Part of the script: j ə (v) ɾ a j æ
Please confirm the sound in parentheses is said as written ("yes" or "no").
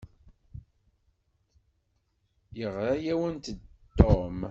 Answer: no